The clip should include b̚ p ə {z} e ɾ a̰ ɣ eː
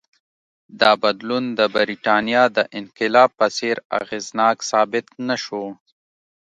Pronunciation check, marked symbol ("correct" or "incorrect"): incorrect